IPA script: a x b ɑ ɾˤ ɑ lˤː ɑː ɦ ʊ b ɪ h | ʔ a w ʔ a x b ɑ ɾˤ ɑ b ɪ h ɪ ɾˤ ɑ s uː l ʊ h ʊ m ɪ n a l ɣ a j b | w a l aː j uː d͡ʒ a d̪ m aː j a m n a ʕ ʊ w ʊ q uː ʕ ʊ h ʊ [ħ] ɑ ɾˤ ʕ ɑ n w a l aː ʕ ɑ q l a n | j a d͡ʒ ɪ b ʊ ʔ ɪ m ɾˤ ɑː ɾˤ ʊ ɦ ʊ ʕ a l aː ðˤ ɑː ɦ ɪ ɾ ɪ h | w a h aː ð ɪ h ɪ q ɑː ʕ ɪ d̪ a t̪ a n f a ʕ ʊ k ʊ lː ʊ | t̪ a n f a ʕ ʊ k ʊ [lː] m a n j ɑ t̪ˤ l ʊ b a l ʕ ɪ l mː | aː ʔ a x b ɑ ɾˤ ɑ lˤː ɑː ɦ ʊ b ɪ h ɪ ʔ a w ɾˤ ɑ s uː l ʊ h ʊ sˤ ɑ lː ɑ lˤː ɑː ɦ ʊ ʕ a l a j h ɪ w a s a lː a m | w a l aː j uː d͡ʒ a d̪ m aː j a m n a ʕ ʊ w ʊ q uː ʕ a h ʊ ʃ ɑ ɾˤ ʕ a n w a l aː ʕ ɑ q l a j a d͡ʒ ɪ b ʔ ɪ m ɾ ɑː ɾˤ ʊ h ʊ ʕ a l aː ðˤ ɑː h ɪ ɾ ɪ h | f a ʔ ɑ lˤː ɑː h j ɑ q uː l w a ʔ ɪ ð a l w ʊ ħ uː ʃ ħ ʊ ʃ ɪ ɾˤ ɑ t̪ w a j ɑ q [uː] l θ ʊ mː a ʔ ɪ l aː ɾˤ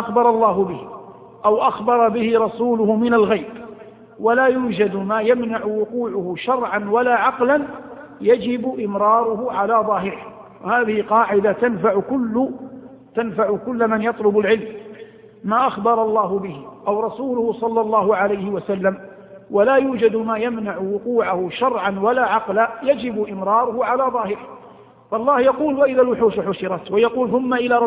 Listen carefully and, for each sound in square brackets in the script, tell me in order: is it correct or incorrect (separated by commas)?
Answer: incorrect, correct, correct